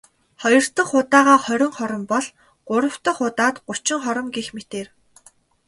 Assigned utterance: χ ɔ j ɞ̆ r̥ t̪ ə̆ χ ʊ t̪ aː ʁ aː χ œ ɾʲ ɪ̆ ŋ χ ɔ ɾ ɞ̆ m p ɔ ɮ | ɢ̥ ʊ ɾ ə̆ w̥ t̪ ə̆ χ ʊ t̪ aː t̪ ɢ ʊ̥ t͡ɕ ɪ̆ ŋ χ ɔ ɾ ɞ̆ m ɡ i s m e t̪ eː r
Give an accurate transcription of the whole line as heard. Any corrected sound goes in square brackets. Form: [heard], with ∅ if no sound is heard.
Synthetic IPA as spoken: χ ɔ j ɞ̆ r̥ t̪ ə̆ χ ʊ t̪ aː ʁ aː χ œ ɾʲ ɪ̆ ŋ χ ɔ ɾ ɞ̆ m p ɔ ɮ | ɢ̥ ʊ ɾ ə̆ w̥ t̪ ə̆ χ ʊ t̪ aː t̪ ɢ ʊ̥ t͡ɕ ɪ̆ ŋ χ ɔ ɾ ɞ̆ m ɡ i [x] m e t̪ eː r